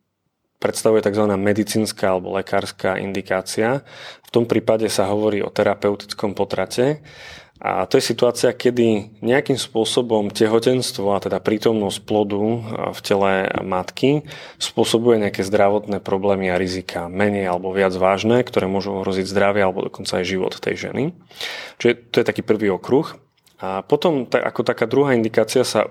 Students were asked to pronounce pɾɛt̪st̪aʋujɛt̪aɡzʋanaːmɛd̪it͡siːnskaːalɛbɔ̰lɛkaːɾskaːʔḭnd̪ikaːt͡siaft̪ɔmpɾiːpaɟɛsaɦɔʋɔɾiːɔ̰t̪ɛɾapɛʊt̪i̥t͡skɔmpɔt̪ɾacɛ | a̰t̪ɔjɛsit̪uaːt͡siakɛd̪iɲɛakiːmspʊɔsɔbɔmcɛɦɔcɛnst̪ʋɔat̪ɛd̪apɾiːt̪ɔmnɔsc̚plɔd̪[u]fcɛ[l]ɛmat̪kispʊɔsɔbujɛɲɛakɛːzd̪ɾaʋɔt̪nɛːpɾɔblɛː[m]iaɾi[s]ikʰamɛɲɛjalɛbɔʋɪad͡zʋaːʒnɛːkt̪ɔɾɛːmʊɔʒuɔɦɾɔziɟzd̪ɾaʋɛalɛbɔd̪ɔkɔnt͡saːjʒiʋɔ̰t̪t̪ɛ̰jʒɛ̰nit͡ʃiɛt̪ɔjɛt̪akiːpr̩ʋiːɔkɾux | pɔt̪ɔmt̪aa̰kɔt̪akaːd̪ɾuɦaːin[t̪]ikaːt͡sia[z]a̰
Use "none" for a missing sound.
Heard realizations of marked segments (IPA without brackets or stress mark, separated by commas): u, l, m, z, d̪, s